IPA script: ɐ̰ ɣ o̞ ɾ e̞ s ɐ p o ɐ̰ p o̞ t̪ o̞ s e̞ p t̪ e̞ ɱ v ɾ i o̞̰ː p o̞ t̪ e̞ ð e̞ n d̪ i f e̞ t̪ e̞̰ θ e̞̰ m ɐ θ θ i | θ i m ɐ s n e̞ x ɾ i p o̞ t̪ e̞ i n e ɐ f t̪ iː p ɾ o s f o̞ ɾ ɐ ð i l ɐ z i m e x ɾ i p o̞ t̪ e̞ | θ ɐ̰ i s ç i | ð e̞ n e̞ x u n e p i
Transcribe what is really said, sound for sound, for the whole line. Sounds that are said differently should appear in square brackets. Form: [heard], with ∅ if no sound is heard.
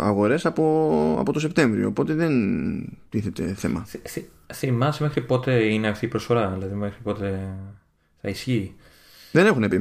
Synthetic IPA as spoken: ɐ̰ ɣ o̞ ɾ e̞ s ɐ p o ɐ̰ p o̞ t̪ o̞ s e̞ p t̪ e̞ ɱ v ɾ i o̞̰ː p o̞ t̪ e̞ ð e̞ n [t̪] i [θ] e̞ t̪ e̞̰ θ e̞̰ m ɐ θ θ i | θ i m ɐ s [m] e̞ x ɾ i p o̞ t̪ e̞ i n e ɐ f t̪ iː p ɾ o s f o̞ ɾ ɐ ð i l ɐ [ð] i m e x ɾ i p o̞ t̪ e̞ | θ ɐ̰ i s ç i | ð e̞ n e̞ x u n e p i